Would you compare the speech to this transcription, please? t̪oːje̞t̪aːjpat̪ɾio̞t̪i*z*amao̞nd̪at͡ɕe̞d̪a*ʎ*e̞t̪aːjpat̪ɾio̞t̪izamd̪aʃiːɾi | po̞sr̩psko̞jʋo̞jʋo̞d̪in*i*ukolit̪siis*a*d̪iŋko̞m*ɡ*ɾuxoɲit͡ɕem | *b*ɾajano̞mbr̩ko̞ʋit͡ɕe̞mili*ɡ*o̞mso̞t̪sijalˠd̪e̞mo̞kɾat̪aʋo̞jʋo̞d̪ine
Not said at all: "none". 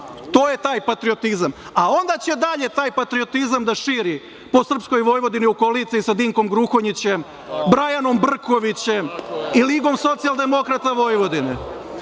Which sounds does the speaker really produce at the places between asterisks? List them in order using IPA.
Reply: z, ʎ, i, a, ɡ, b, ɡ

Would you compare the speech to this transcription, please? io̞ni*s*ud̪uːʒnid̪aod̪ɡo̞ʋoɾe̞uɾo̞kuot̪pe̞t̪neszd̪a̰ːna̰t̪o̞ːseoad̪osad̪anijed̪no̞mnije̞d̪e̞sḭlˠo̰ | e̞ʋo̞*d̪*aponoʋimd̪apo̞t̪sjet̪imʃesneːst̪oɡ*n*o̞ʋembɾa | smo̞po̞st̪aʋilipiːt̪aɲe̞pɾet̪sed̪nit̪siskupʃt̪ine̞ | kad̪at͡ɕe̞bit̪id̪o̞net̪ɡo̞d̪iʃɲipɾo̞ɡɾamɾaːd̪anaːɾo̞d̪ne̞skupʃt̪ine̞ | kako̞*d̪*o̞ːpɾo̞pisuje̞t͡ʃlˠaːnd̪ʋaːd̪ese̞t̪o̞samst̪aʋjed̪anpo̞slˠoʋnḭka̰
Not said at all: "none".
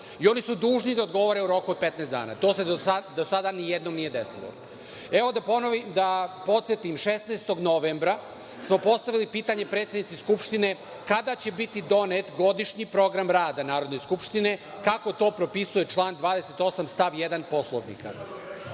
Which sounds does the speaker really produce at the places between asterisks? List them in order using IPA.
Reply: s, d̪, n, t̪

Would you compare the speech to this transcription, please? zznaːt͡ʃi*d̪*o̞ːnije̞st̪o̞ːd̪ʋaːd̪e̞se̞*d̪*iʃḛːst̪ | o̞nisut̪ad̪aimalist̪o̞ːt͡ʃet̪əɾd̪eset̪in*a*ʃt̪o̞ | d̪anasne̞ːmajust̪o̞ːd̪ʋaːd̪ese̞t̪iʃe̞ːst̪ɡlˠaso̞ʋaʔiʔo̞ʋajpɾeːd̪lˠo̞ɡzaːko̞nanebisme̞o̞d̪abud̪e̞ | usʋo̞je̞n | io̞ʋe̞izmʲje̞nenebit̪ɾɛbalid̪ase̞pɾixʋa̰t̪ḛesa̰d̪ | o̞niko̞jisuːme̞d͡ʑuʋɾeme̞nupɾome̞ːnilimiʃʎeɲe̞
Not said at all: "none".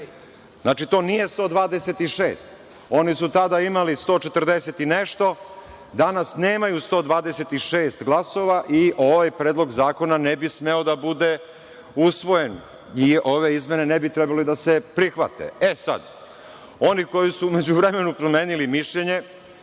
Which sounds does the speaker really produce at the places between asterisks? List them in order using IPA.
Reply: t̪, t̪, e

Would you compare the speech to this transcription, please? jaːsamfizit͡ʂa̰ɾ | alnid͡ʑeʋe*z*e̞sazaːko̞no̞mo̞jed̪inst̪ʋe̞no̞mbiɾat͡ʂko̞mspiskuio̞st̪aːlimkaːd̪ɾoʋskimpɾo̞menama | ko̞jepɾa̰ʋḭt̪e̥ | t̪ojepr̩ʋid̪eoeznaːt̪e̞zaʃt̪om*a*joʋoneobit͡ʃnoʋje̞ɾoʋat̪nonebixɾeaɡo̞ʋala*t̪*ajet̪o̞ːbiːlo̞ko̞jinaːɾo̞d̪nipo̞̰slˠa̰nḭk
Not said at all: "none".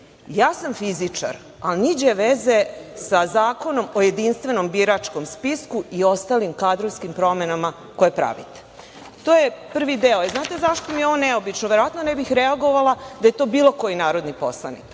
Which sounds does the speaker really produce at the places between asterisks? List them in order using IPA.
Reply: z, i, d̪

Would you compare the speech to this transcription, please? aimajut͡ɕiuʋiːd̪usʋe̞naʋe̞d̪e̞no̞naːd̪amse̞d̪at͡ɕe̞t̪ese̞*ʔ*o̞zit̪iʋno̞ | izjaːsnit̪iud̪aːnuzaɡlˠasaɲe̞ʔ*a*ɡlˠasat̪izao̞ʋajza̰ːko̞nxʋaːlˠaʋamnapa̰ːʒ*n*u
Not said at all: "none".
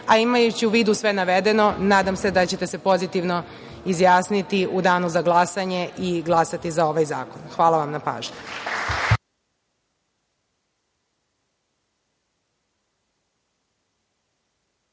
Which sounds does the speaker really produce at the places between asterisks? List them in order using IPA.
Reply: p, i, ɲ

